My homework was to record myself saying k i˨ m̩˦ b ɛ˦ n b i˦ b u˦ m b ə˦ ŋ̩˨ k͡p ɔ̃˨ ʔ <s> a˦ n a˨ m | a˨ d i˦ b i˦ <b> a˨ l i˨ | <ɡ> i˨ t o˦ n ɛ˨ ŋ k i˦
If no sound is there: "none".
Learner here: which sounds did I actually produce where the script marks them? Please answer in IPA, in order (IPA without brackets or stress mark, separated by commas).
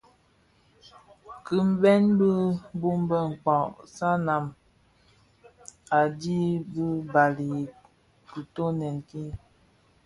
s, b, k